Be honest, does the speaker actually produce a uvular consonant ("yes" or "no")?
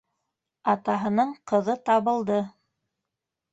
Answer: yes